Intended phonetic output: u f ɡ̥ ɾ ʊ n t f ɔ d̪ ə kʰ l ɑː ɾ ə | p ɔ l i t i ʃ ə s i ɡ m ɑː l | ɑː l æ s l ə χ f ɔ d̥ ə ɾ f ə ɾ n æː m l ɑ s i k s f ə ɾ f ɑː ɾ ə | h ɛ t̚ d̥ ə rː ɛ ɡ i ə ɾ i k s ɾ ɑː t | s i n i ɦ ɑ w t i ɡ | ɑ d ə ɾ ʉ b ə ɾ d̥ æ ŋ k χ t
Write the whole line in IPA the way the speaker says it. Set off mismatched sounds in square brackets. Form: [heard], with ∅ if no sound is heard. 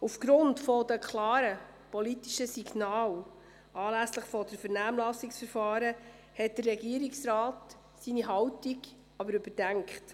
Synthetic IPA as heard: u f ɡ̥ ɾ ʊ n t f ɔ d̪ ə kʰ l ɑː ɾ ə | p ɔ l i t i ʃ ə s i ɡ [n] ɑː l | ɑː l æ s l ə χ f ɔ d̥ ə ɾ f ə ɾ n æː m l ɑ s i k s f ə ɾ f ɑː ɾ ə | h ɛ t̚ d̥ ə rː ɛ ɡ i ə ɾ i k s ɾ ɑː t | s i n i ɦ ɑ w t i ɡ | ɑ [b] ə ɾ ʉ b ə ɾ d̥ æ ŋ k χ t